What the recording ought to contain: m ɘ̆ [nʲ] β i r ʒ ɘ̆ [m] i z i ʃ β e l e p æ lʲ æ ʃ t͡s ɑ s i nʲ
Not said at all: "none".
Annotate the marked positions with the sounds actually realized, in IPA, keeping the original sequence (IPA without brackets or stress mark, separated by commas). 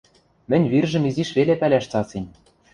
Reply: nʲ, m